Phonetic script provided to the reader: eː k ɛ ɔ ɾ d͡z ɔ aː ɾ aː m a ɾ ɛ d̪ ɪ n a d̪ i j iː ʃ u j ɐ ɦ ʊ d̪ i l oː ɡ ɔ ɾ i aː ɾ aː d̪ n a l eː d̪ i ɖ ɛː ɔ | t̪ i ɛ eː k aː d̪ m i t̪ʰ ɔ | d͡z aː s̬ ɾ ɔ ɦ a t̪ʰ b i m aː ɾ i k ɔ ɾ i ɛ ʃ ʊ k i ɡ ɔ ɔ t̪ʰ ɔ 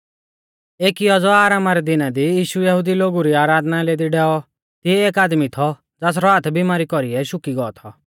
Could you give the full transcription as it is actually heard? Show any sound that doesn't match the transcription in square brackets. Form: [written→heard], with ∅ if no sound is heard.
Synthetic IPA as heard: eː k [ɛ→i] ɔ [ɾ→∅] d͡z ɔ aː ɾ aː m a ɾ ɛ d̪ ɪ n a d̪ i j iː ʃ u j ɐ ɦ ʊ d̪ i l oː ɡ [ɔ→u] ɾ i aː ɾ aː d̪ n a l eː d̪ i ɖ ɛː ɔ | t̪ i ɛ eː k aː d̪ m i t̪ʰ ɔ | d͡z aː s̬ ɾ ɔ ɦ a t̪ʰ b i m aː ɾ i k ɔ ɾ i ɛ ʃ ʊ k i ɡ ɔ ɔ t̪ʰ ɔ